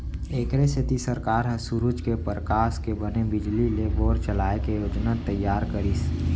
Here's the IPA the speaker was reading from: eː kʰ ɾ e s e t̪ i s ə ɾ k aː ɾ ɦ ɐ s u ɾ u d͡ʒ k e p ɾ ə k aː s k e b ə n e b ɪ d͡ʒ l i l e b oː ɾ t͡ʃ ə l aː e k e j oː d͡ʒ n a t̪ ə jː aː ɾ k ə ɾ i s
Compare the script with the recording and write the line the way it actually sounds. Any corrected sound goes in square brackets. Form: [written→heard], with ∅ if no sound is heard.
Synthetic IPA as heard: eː [kʰ→k] ɾ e s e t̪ i s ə ɾ k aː ɾ ɦ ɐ s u ɾ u d͡ʒ k e p ɾ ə k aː s k e b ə n e b ɪ d͡ʒ l i l e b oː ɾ t͡ʃ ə l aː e k e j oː d͡ʒ n a t̪ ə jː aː ɾ k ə ɾ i s